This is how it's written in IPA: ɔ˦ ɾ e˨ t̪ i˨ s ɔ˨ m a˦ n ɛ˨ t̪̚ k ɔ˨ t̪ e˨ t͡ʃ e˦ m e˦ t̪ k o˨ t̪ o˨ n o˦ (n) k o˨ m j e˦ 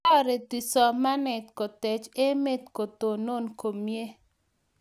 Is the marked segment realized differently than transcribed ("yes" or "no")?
no